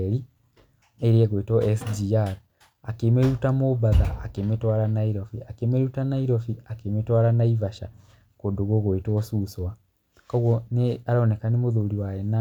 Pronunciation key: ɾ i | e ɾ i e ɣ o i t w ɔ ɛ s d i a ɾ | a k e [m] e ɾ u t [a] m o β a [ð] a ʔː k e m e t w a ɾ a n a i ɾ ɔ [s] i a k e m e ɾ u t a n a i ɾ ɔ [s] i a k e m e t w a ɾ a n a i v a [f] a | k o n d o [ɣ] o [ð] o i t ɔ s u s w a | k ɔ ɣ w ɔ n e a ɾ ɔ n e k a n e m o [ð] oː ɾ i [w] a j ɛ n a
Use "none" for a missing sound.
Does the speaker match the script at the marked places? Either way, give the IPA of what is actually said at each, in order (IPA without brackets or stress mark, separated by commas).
m, a, ð, f, f, ʃ, ɣ, ɣ, ð, w